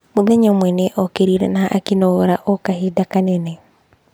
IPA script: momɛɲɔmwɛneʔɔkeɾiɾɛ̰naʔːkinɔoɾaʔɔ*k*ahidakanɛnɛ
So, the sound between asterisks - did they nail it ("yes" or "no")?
yes